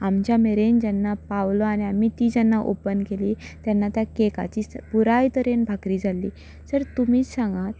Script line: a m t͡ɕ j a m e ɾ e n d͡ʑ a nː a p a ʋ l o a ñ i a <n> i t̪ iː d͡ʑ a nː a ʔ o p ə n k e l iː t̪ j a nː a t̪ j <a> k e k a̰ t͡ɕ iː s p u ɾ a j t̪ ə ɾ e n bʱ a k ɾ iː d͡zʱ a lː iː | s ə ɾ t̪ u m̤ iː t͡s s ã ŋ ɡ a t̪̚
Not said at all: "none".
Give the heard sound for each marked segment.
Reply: m, a

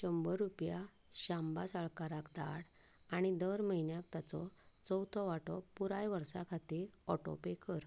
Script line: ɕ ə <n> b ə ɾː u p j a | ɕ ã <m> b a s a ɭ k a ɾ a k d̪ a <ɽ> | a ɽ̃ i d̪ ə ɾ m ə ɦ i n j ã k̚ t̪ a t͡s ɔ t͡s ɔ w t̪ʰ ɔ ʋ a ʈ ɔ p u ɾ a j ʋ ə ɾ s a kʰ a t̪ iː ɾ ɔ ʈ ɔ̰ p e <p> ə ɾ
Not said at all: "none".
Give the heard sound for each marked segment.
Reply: m, m, ɽ, k

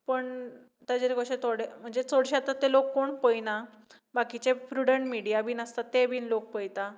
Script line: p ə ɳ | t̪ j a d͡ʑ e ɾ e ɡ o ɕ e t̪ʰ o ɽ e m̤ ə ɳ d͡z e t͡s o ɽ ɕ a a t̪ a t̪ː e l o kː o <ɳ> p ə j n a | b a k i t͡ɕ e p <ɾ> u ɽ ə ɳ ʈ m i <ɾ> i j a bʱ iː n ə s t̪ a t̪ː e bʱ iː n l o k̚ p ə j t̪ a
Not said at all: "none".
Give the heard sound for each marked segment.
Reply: ɳ, ɾ, ɽ

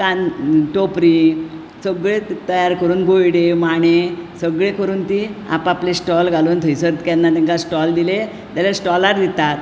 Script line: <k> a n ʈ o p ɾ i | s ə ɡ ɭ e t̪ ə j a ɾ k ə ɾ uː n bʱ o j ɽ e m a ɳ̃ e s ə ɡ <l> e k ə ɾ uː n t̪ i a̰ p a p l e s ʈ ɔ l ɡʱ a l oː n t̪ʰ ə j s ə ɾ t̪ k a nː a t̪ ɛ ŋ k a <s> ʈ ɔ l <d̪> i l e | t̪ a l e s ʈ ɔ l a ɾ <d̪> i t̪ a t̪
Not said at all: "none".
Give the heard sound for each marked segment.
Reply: k, ɭ, s, d̪, d̪

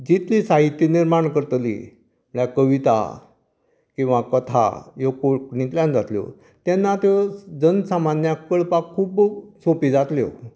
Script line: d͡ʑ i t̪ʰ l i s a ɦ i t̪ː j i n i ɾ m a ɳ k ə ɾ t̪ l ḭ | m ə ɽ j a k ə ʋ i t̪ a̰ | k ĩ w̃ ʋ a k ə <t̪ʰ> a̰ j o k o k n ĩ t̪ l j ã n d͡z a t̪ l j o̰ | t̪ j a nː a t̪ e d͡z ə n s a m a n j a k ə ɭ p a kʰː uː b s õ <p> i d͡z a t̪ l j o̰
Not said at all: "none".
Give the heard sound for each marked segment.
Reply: t̪ʰ, p

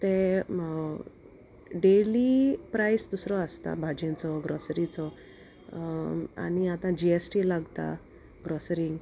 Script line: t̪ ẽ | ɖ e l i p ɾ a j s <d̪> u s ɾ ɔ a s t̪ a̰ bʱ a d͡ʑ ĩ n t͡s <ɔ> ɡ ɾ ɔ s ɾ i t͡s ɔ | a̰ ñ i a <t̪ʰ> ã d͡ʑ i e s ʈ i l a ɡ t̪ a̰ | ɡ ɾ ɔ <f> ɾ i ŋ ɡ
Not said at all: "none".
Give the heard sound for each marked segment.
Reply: d̪, ɔ, t̪, s

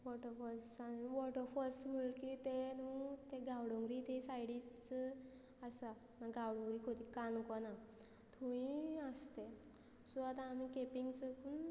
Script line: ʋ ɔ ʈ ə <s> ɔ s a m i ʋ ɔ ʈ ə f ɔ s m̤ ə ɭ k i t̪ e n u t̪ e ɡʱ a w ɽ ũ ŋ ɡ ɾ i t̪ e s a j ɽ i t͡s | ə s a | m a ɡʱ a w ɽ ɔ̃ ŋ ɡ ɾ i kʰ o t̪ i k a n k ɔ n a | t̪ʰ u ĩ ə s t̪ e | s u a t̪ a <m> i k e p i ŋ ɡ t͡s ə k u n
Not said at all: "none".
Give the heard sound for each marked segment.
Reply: f, m

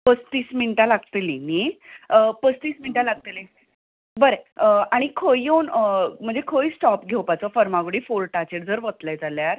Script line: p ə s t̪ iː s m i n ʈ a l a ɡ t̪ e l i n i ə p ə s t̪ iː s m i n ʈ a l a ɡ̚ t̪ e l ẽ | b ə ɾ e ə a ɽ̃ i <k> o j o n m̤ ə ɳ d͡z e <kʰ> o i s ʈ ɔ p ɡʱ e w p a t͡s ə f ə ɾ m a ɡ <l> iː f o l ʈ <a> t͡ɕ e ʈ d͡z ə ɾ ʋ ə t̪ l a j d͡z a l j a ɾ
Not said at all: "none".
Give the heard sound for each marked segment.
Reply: kʰ, kʰ, ɽ, a

